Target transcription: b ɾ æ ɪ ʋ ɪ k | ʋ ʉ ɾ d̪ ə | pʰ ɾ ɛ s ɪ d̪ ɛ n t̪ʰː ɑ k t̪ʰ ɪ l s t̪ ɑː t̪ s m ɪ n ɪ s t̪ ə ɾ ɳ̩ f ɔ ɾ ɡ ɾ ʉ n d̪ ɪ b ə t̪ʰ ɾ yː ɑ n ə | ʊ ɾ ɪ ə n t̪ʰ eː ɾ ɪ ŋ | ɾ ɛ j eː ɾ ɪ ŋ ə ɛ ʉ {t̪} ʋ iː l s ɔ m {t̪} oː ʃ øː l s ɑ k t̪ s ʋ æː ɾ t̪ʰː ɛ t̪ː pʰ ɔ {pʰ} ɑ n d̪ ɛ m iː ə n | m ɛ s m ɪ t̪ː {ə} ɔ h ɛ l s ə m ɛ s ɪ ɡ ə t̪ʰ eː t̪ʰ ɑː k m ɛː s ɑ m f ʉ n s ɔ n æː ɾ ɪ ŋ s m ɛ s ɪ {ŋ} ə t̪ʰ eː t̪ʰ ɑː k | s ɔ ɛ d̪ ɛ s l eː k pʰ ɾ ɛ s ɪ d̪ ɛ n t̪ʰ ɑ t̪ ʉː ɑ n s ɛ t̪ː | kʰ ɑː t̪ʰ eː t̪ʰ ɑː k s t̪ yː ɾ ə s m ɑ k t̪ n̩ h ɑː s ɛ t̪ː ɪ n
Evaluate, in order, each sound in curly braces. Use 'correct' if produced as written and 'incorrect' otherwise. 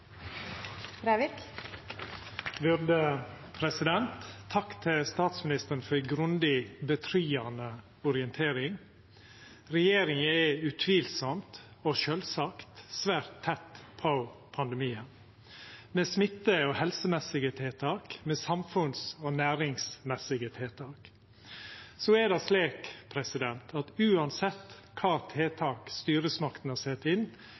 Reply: incorrect, correct, correct, correct, incorrect

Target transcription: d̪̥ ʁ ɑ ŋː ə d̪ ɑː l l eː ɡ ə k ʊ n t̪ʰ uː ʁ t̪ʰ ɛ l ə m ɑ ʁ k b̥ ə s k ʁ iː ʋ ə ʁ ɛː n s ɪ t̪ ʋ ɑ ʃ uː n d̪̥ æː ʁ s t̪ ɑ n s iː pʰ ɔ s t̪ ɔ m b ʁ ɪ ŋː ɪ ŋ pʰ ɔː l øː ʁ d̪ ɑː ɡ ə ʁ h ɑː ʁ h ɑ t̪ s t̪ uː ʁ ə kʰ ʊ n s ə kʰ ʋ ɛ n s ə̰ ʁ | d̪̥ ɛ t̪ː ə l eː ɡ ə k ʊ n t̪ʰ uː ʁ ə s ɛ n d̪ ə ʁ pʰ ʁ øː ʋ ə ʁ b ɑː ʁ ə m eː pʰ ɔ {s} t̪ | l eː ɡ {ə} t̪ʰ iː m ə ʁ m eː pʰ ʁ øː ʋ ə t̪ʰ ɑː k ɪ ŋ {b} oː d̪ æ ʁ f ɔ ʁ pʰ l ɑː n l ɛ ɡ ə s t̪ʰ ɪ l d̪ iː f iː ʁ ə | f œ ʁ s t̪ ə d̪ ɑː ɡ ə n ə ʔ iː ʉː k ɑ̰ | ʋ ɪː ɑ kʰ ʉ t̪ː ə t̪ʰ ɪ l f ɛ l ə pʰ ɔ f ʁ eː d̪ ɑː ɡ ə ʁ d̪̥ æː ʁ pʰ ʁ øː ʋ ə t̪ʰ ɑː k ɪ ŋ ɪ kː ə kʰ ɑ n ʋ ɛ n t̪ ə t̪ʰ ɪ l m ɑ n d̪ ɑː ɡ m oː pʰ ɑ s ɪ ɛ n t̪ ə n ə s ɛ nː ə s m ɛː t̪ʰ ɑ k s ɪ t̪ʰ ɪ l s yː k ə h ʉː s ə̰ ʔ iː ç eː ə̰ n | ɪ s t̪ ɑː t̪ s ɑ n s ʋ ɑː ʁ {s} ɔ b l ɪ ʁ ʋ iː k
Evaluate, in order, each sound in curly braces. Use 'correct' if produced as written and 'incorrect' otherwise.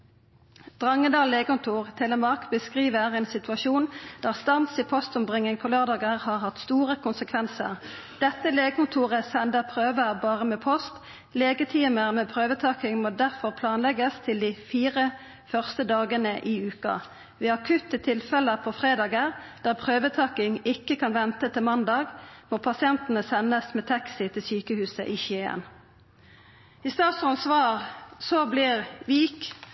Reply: correct, correct, incorrect, correct

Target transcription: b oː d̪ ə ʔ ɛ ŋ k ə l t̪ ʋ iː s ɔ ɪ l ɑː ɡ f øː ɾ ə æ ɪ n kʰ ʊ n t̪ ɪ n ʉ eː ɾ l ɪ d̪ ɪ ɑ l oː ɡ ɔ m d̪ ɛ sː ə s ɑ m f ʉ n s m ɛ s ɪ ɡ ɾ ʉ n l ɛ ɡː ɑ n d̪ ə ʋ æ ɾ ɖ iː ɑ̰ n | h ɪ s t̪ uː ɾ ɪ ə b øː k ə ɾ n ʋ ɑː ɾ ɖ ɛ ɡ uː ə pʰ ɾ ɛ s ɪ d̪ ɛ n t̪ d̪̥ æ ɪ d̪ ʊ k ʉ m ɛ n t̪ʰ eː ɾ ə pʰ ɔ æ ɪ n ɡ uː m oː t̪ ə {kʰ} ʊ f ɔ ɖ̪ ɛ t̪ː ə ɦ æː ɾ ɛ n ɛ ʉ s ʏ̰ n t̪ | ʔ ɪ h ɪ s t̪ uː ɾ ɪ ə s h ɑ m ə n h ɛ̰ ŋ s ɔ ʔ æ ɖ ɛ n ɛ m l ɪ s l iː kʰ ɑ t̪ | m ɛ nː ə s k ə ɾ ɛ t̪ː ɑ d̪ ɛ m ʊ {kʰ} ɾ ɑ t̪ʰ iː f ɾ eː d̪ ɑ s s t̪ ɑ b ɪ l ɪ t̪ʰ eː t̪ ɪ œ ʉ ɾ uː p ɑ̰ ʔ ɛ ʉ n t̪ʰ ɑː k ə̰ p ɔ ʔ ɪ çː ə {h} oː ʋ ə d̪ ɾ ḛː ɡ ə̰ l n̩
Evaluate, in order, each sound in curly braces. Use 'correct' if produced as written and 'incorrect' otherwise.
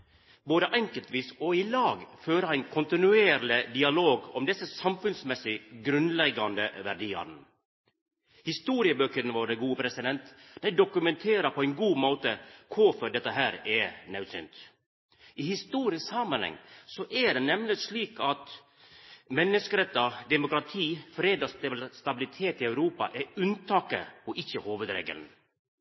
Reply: correct, incorrect, correct

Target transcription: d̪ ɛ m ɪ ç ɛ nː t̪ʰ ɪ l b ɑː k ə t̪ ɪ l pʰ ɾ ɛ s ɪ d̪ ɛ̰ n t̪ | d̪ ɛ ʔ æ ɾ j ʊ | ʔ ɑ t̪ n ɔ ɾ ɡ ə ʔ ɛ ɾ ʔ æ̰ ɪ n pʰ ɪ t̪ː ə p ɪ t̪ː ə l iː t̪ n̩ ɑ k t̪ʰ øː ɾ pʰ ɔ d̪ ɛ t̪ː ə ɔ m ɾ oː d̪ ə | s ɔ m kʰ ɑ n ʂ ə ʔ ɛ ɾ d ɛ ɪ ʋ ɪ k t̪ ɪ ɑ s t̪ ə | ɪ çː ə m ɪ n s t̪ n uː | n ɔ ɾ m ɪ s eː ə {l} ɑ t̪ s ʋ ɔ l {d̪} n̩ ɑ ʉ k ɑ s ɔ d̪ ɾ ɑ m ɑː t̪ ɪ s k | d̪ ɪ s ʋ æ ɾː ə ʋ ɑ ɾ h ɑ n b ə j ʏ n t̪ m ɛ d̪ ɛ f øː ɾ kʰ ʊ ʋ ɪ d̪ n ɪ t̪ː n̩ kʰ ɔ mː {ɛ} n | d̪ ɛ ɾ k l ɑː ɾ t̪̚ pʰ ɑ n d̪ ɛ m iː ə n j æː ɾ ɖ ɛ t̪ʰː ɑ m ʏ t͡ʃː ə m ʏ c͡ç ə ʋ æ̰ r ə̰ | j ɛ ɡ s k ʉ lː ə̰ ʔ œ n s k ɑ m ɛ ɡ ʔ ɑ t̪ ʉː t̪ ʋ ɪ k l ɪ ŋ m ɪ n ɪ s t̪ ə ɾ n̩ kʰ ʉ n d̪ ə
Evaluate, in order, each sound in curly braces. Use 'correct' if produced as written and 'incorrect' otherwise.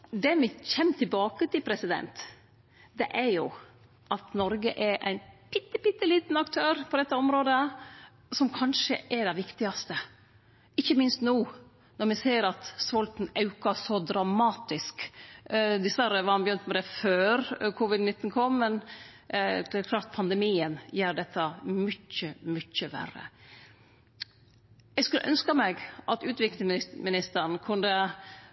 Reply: incorrect, incorrect, correct

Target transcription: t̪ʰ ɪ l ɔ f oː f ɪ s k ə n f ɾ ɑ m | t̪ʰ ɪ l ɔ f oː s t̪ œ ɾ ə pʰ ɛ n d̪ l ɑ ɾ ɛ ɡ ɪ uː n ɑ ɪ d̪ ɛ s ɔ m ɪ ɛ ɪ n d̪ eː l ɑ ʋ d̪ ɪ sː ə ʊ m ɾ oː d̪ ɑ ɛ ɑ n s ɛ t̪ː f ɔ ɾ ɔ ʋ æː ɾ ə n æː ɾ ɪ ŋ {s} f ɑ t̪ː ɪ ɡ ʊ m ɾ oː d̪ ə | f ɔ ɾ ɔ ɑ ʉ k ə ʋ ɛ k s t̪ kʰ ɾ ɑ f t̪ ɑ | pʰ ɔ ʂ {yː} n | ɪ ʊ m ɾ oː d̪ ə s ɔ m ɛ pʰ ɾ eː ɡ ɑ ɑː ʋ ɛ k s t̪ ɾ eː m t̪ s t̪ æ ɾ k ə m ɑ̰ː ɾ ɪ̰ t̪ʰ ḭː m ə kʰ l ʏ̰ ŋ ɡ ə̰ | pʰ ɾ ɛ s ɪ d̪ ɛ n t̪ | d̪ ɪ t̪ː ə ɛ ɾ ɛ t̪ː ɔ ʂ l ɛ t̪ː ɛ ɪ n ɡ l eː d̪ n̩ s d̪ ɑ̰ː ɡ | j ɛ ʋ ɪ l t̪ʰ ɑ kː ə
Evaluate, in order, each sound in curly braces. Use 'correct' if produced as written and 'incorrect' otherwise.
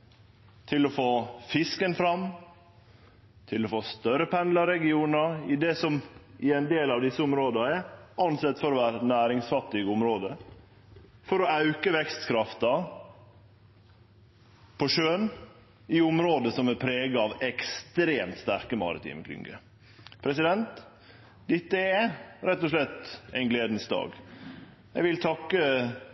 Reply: correct, incorrect

